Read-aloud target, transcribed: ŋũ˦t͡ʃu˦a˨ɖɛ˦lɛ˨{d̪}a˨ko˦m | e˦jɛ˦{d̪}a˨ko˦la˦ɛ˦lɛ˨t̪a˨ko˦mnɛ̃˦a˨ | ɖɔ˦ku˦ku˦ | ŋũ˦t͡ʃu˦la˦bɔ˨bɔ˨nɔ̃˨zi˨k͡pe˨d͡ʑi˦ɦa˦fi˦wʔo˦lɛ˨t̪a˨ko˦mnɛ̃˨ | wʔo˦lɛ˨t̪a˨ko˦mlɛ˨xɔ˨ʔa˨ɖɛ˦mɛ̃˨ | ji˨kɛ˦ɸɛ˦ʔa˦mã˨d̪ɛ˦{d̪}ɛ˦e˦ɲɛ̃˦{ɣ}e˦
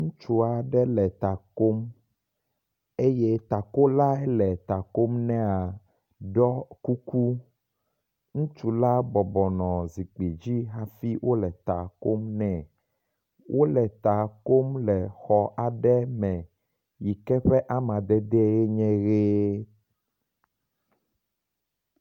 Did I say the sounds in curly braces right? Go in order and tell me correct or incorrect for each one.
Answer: incorrect: t̪, incorrect: t̪, correct, correct

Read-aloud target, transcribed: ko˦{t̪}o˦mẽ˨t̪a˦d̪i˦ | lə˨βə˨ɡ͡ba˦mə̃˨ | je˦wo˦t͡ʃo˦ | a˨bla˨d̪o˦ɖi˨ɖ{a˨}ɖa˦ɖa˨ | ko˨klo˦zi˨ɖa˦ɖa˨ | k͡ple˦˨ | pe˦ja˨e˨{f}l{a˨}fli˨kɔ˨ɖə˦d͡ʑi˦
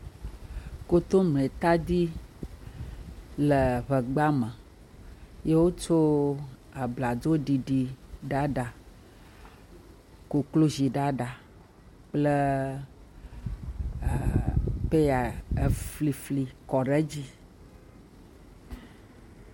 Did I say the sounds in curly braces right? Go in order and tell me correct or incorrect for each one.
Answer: correct, incorrect: i˨, correct, incorrect: i˨

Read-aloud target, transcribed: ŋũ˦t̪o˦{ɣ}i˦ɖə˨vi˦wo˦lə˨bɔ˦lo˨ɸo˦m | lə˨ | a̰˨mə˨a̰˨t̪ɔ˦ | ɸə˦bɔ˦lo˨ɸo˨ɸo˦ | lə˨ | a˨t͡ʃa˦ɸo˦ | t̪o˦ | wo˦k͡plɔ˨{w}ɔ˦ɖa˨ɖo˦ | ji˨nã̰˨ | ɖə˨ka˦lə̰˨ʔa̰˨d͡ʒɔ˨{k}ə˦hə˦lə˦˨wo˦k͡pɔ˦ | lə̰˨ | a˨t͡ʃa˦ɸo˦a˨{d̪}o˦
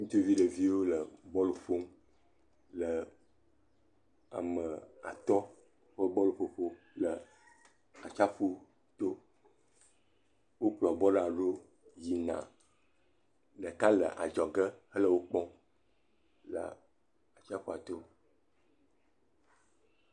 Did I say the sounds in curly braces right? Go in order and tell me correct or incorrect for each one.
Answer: incorrect: v, incorrect: b, incorrect: ɡ, incorrect: t̪

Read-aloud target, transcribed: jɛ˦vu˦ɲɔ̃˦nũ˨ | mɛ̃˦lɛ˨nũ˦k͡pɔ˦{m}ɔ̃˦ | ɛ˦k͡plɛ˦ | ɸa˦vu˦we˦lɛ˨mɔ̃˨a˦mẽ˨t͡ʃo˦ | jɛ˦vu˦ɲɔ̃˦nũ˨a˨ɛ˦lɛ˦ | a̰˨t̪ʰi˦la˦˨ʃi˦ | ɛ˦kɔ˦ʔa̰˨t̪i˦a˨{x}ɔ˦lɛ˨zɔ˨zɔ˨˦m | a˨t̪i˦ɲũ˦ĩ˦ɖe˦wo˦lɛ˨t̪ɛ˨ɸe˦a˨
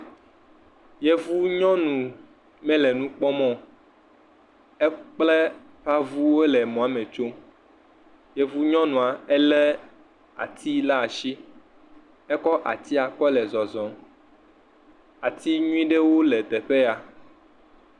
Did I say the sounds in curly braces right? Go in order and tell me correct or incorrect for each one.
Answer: correct, incorrect: k

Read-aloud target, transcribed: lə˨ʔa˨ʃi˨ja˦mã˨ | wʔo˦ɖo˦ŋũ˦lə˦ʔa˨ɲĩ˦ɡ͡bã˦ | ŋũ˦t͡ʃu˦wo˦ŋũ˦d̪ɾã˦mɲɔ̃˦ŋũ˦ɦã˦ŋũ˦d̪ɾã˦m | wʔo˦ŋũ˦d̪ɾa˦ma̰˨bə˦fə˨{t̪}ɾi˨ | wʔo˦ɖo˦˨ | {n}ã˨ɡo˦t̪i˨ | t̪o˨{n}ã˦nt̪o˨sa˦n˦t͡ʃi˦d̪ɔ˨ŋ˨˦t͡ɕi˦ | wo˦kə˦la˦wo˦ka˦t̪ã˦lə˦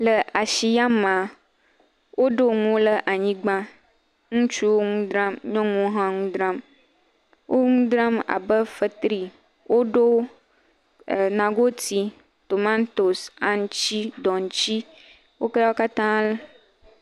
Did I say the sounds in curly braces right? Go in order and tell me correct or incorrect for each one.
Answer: correct, correct, incorrect: m

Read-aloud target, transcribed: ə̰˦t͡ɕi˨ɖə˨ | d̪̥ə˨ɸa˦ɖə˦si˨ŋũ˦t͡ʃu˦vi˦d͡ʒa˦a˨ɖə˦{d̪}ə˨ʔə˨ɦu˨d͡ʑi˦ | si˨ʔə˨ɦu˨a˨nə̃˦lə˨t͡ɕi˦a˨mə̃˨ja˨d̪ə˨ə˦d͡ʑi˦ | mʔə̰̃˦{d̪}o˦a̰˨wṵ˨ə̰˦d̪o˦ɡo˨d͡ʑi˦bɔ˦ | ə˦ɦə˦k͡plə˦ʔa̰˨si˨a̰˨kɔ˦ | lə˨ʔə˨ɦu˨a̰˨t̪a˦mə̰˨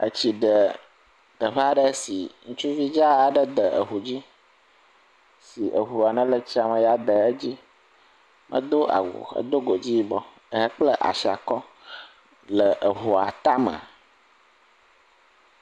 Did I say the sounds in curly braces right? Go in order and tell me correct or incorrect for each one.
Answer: correct, correct

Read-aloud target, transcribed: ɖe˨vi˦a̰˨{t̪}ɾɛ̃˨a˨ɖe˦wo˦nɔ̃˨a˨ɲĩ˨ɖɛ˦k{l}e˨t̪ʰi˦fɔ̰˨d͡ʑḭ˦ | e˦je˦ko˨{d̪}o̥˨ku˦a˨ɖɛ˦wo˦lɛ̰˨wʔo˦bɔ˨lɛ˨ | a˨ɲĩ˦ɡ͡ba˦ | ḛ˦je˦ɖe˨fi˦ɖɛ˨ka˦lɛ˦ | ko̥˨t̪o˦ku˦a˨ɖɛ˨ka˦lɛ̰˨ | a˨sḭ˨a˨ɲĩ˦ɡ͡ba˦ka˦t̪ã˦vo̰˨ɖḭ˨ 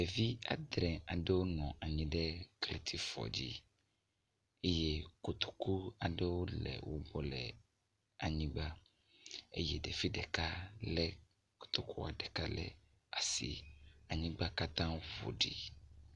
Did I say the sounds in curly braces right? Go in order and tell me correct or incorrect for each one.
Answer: incorrect: d̪, correct, incorrect: t̪

